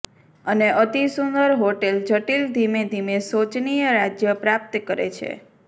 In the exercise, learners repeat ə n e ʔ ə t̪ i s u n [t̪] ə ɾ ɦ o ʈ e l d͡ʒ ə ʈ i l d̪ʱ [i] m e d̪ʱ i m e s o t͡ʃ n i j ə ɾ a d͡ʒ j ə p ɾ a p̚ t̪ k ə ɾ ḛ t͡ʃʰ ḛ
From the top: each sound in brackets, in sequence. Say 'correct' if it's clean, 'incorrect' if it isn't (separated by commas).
incorrect, correct